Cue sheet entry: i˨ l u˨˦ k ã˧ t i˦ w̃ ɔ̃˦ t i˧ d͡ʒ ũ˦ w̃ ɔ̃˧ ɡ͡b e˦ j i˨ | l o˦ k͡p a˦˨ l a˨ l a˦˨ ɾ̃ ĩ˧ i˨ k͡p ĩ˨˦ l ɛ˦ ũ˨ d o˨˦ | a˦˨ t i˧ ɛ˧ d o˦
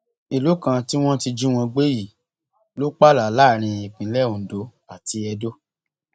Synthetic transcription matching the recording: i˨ l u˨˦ k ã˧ t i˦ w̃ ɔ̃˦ t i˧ d͡ʒ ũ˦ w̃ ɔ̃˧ ɡ͡b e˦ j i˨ | l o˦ k͡p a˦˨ l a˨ l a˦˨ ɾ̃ ĩ˧ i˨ k͡p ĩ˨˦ l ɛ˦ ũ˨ d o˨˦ | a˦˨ t i˧ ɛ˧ d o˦